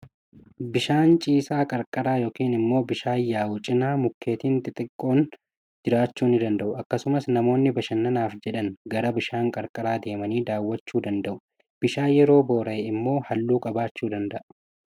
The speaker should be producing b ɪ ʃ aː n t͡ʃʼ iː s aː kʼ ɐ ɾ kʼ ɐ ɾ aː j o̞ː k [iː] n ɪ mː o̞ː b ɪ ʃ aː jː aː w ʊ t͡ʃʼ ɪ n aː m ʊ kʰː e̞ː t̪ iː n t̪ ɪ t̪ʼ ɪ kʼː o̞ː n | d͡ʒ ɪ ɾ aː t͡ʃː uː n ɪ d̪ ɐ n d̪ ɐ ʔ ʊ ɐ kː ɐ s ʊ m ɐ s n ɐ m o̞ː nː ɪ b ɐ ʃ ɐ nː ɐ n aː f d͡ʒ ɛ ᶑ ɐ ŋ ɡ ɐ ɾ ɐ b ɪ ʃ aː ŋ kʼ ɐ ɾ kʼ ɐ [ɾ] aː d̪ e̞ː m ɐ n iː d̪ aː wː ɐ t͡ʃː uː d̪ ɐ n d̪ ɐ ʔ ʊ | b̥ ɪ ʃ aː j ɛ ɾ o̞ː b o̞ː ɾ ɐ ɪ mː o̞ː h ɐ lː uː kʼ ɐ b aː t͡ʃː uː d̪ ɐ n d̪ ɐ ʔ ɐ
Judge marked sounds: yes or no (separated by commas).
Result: yes, yes